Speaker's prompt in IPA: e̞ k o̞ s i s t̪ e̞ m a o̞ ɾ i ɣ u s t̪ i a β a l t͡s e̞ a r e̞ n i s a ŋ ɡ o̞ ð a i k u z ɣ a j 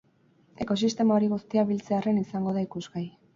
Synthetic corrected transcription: e̞ k o̞ s i s t̪ e̞ m a o̞ ɾ i ɣ u s t̪ i a β i l t͡s e̞ a r e̞ n i s a ŋ ɡ o̞ ð a i k u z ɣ a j